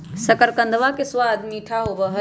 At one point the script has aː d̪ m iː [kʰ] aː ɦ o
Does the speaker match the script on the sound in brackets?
no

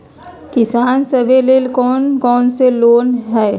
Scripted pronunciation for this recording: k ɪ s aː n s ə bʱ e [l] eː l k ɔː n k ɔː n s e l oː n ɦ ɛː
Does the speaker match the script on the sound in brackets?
yes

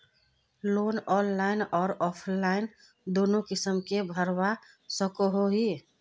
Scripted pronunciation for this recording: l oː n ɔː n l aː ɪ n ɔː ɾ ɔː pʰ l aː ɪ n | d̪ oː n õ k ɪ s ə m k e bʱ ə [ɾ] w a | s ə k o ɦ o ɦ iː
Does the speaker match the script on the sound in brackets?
yes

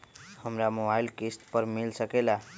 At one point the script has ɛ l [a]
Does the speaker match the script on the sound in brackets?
yes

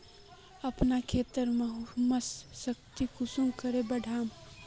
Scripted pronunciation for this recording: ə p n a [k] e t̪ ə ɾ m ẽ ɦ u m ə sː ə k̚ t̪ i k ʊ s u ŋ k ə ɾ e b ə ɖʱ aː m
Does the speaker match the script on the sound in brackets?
no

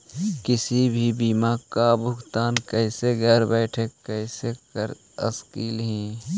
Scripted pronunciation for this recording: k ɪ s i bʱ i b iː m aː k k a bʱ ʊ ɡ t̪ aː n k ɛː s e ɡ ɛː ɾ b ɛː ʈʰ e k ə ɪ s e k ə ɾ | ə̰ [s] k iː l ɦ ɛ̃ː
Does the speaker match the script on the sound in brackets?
yes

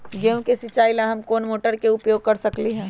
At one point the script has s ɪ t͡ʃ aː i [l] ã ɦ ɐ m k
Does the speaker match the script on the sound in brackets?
yes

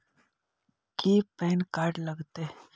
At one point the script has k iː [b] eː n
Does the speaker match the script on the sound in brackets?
no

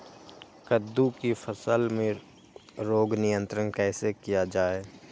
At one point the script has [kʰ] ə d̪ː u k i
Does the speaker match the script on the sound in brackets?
no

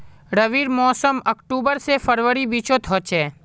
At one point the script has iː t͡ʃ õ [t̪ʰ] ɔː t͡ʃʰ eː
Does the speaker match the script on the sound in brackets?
yes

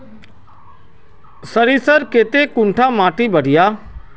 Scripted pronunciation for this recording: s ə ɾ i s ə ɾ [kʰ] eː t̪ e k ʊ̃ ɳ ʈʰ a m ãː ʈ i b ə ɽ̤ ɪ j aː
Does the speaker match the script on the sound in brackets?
no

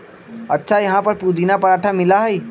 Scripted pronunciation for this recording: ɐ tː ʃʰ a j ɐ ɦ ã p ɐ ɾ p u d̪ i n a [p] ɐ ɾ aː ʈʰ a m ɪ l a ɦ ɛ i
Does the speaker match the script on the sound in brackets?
yes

